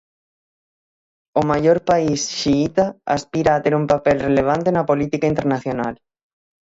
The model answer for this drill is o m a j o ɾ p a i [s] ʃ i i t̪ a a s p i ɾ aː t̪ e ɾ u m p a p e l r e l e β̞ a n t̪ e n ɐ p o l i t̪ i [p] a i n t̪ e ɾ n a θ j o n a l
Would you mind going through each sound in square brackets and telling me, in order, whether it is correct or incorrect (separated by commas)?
correct, incorrect